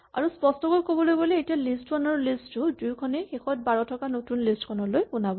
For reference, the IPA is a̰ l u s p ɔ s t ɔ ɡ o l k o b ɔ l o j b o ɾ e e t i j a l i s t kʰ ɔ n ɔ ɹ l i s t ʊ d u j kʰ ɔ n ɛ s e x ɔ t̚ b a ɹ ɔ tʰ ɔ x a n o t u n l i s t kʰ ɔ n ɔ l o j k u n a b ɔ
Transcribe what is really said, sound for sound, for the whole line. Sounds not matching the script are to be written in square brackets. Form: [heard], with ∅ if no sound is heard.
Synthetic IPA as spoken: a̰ [ɹ] u s p ɔ s t ɔ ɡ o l k o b ɔ l o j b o [l] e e t i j a l i s t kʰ ɔ n ɔ ɹ l i s t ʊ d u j kʰ ɔ n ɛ [x] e x ɔ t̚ b a ɹ ɔ tʰ ɔ [k] a n o t u n l i s t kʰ ɔ n ɔ l o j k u n a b ɔ